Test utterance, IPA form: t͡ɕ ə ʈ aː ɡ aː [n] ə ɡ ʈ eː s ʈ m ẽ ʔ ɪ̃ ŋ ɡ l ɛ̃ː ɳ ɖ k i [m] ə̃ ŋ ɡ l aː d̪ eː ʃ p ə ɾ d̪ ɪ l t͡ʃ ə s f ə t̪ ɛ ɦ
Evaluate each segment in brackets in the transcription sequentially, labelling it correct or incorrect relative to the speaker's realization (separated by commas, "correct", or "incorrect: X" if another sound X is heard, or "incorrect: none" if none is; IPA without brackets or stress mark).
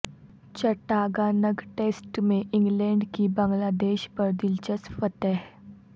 correct, incorrect: b